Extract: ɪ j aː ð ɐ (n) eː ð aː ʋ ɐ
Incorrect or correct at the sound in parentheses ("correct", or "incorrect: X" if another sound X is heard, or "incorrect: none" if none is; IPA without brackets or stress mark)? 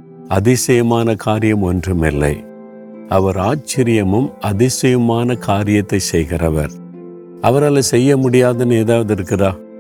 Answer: correct